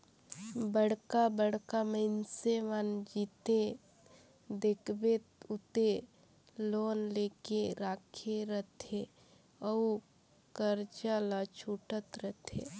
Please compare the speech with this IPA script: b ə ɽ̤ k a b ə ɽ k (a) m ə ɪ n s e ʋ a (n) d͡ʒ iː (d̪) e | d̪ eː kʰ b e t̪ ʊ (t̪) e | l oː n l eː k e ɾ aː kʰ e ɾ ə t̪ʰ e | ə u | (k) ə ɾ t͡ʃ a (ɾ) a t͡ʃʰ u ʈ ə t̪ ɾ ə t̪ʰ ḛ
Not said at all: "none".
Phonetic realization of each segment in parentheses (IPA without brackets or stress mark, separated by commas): a, n, t̪, t̪, k, l